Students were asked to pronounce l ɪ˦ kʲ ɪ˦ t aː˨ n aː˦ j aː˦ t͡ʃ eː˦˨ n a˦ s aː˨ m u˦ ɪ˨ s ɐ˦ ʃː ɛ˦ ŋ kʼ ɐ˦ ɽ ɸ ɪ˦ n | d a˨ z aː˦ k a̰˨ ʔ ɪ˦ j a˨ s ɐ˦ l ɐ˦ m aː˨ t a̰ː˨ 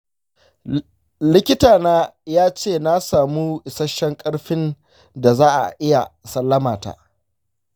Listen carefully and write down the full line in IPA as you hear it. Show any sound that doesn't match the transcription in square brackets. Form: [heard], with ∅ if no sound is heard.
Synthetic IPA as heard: l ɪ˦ kʲ ɪ˦ t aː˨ n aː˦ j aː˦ t͡ʃ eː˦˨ n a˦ s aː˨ m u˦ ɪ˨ s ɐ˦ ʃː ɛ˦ ŋ kʼ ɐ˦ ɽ ɸ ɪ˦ n | d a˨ z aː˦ [ʔ] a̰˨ ʔ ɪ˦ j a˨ s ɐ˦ [lː] ɐ˦ m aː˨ t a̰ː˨